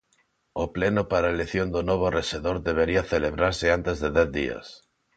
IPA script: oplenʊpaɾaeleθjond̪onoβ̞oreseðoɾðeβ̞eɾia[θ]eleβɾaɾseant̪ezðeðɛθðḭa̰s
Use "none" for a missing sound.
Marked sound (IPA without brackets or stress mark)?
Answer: θ